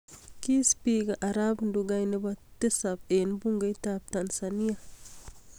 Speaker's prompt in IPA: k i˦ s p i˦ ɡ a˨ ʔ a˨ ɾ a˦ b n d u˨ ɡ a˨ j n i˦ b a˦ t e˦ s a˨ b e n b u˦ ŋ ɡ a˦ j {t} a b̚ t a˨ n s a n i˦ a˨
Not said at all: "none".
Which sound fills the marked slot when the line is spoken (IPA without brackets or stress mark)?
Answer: t